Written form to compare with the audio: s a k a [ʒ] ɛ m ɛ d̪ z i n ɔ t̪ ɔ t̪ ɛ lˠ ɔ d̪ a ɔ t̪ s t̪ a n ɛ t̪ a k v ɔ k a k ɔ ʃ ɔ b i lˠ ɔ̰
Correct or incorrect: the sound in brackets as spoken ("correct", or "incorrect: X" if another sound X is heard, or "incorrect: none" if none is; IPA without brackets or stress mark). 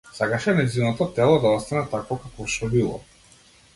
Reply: incorrect: ʃ